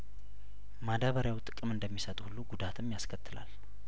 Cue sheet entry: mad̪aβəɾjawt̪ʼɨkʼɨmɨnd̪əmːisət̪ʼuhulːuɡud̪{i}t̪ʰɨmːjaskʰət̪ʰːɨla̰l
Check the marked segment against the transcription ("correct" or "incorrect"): incorrect